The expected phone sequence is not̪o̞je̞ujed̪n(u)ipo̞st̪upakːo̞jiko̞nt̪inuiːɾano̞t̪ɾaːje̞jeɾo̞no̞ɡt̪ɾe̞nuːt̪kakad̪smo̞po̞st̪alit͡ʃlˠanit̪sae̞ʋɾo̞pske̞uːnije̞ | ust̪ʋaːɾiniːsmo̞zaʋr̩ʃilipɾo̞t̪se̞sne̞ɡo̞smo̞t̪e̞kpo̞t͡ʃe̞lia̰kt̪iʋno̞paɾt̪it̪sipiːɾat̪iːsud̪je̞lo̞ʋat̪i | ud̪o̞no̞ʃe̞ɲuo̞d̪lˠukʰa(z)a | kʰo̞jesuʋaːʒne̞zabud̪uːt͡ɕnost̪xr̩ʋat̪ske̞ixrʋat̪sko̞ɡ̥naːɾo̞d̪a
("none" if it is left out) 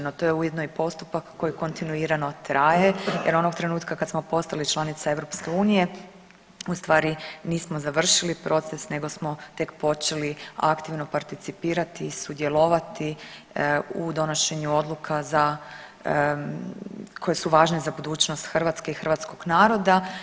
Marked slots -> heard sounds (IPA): o, z

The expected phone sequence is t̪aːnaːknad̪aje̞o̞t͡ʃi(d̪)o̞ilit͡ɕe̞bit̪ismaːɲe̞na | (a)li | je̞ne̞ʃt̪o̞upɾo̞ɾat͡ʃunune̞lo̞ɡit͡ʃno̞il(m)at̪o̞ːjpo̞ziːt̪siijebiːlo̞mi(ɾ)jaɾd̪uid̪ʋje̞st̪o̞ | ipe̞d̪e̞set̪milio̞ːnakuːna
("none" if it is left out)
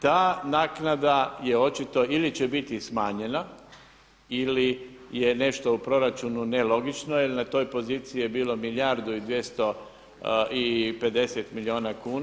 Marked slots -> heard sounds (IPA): t̪, i, n, l

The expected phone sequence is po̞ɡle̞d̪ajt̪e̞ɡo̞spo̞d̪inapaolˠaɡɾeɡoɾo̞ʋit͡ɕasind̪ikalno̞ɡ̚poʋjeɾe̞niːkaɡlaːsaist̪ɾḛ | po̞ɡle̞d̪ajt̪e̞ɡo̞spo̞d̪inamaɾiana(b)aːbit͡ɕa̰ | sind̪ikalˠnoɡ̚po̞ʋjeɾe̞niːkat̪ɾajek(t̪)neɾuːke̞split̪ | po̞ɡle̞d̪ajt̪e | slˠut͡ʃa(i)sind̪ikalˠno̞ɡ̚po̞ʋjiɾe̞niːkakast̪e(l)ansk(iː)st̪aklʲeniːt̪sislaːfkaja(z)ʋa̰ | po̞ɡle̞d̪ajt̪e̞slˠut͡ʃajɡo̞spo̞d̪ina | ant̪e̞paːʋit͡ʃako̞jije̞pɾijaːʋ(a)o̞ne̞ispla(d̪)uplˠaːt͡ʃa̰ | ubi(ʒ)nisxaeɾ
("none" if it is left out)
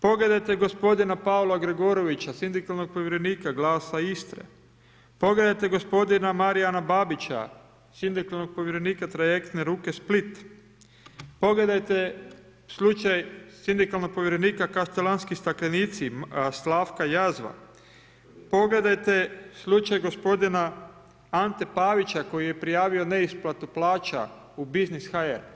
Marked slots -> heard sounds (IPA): b, t̪, j, l, i, z, i, t̪, z

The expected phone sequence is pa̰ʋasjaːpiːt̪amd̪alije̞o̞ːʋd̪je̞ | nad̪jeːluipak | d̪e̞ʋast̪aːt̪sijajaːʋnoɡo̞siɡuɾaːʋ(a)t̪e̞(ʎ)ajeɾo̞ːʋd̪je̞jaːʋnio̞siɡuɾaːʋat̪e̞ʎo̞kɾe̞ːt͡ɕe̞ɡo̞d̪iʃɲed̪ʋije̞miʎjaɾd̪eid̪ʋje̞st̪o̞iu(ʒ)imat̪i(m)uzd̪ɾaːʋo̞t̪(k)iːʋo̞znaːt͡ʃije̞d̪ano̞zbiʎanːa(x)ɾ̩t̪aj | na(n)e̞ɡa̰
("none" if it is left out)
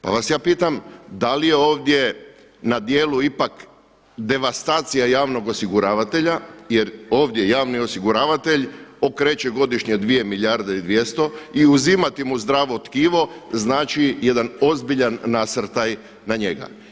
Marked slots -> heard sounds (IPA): a, ʎ, z, m, k, s, ɲ

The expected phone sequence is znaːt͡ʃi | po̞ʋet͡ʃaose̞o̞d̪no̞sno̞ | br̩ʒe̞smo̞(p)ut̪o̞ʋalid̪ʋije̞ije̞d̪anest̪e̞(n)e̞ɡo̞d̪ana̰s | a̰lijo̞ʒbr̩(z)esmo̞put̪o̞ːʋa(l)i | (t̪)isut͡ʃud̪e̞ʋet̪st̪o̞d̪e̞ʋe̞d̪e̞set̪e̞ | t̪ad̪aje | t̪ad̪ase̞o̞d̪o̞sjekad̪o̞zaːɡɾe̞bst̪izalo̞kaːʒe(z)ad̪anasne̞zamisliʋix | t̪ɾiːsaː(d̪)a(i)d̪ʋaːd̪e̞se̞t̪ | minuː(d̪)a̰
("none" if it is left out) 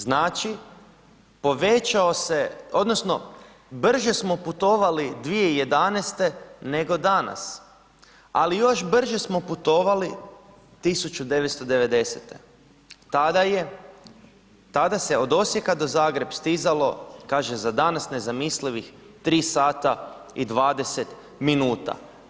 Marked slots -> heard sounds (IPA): p, n, ʒ, l, t̪, z, t̪, i, t̪

